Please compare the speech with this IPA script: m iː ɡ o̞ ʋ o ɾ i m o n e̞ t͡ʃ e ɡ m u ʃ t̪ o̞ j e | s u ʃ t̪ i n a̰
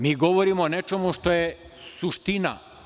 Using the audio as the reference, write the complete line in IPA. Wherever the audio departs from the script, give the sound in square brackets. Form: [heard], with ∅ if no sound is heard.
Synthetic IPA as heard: m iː ɡ o̞ ʋ o ɾ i m o n e̞ t͡ʃ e [∅] m u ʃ t̪ o̞ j e | s u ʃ t̪ i n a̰